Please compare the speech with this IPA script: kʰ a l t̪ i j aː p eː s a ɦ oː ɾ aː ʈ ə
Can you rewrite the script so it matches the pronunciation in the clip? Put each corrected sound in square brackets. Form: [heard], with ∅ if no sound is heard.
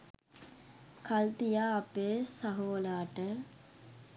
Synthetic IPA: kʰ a l t̪ i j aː p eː s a ɦ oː [l] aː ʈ ə